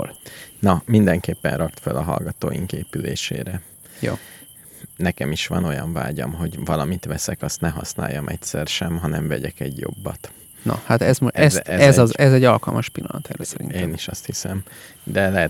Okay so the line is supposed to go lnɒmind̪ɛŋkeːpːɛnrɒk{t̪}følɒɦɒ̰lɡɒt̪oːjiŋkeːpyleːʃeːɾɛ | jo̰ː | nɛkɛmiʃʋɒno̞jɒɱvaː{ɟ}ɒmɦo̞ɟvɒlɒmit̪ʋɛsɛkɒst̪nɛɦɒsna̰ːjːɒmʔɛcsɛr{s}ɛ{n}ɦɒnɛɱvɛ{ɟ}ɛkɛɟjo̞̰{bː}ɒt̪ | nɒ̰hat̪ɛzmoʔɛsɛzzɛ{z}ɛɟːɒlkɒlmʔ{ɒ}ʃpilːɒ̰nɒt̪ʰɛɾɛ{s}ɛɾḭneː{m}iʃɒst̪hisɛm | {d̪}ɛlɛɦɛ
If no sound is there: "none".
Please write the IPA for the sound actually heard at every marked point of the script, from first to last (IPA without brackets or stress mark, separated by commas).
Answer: t̪, ɟ, ʃ, m, ɟ, bː, z, ɒ, s, n, d̪